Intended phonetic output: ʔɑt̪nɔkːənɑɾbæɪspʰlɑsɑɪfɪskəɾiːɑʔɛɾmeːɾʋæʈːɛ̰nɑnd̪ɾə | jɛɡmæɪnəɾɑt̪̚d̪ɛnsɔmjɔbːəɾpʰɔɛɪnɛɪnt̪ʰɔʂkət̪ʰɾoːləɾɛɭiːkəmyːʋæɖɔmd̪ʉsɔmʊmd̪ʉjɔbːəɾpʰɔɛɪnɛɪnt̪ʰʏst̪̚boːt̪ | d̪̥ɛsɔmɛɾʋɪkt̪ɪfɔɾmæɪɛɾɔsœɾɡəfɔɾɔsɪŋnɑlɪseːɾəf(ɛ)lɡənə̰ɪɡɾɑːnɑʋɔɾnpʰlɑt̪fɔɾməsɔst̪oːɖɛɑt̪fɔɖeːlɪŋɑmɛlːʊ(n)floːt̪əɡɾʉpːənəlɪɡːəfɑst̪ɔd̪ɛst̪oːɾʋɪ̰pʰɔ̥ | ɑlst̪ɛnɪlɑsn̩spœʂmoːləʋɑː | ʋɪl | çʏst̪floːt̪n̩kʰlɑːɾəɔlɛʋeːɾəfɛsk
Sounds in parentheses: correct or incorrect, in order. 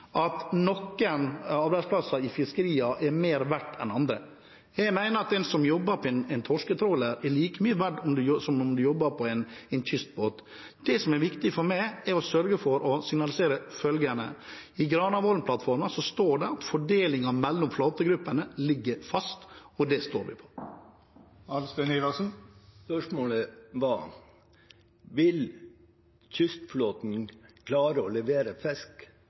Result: incorrect, incorrect

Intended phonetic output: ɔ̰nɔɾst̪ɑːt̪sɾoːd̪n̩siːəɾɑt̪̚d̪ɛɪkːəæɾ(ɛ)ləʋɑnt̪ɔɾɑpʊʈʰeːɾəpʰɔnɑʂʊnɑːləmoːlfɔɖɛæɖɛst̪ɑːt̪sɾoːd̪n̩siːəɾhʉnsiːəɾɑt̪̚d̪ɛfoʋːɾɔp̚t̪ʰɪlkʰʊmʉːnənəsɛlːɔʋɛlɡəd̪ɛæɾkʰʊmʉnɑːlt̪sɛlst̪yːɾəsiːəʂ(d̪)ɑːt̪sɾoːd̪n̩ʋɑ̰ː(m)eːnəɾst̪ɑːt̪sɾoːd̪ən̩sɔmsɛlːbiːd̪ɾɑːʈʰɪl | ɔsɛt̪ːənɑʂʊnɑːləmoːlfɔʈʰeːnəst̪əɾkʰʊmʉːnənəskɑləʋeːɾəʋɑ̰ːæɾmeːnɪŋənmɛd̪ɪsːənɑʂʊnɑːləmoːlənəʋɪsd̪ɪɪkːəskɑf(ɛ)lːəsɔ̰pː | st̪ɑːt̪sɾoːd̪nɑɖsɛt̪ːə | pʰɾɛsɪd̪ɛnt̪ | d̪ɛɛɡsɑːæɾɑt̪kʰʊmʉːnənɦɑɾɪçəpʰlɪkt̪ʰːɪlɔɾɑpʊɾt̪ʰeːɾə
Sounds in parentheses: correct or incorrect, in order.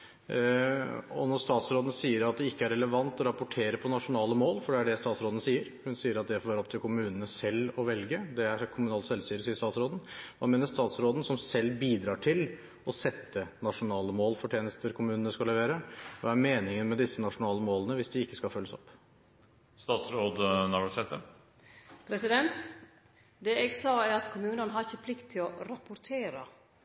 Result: correct, incorrect, correct, incorrect

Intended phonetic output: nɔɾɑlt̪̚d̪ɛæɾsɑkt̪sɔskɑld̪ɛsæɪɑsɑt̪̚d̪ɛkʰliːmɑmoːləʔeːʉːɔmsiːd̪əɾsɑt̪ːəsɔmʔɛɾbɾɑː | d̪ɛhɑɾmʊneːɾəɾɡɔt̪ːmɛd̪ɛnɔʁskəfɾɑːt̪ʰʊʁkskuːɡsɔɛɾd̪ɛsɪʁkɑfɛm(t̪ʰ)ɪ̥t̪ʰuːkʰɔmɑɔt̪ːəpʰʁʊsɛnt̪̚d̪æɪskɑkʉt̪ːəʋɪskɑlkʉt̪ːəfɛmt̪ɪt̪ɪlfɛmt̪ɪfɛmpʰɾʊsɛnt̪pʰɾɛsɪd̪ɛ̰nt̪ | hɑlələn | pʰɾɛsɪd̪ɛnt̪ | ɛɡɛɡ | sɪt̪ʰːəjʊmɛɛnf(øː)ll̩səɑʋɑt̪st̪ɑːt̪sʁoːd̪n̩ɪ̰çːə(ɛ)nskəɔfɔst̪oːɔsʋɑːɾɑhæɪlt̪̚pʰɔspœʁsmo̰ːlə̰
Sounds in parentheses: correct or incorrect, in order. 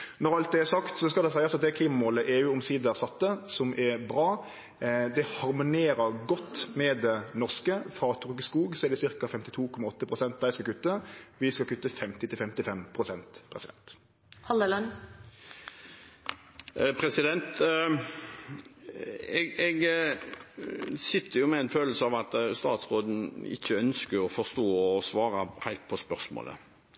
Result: incorrect, correct, incorrect

